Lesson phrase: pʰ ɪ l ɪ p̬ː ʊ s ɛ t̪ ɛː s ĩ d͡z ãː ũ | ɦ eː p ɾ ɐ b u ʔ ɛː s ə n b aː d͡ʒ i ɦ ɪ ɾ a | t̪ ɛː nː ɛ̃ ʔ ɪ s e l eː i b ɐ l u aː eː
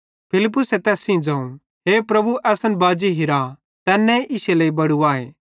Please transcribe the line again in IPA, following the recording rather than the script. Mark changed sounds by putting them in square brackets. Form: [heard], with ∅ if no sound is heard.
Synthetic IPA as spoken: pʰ ɪ l ɪ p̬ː ʊ s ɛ t̪ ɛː s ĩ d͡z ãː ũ | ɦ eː p ɾ ɐ b u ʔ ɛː s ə n b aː d͡ʒ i ɦ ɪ ɾ a | t̪ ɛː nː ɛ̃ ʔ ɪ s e l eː i b ɐ [ɽ] u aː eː